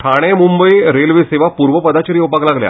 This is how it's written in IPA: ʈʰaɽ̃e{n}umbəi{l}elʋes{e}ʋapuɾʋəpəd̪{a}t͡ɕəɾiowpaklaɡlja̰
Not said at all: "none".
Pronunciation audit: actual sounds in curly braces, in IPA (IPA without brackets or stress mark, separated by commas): m, ɾ, e, a